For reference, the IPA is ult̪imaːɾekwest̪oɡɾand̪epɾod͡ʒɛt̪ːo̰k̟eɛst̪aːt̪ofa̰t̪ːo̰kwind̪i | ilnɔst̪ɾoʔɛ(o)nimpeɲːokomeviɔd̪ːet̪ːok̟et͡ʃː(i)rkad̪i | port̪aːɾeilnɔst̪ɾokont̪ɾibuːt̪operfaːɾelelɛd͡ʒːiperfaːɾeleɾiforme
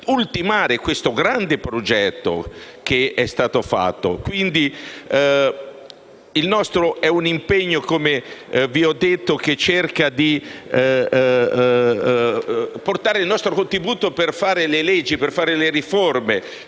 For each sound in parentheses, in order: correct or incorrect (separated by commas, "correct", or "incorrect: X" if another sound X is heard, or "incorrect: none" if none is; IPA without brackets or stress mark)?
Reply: incorrect: u, incorrect: e